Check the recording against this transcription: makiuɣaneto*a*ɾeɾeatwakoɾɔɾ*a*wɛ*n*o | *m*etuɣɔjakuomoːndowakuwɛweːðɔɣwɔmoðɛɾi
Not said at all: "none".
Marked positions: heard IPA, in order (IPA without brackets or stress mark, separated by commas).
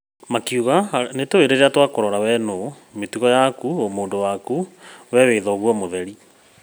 e, a, n, m